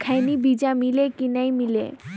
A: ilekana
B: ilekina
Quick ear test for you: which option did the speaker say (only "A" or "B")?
B